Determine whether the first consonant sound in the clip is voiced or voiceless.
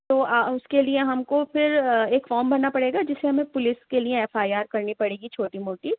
voiceless